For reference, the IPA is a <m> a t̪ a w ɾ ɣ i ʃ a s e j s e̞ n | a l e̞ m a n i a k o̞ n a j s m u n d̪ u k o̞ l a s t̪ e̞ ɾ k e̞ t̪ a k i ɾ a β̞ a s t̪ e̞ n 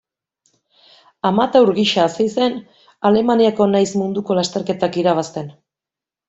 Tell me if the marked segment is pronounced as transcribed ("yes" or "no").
yes